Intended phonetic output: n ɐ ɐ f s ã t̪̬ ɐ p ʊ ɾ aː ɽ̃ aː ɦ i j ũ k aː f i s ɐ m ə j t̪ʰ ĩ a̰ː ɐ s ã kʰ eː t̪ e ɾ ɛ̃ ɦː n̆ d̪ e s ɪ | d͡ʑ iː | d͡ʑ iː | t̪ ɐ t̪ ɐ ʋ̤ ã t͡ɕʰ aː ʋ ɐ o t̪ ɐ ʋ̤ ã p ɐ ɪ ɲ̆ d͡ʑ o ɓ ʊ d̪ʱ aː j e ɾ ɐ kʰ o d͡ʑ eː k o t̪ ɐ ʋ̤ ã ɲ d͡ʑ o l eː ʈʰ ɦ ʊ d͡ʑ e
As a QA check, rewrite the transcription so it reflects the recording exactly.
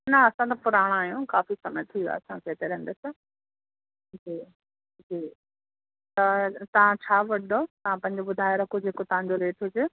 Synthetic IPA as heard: n ɐ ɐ s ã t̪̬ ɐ p ʊ ɾ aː ɽ̃ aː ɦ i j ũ k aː f i s ɐ m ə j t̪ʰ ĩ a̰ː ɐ s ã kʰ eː t̪ e ɾ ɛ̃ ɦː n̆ d̪ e s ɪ | d͡ʑ iː | d͡ʑ iː | t̪ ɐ t̪ ɐ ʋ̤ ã t͡ɕʰ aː ʋ ɐ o t̪ ɐ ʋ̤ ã p ɐ̃ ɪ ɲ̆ d͡ʑ o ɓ ʊ d̪ʱ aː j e ɾ ɐ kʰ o d͡ʑ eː k o t̪ ɐ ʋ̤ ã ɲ d͡ʑ o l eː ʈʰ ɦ ʊ d͡ʑ e